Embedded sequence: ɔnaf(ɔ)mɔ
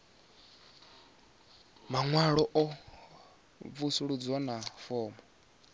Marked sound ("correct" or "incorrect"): incorrect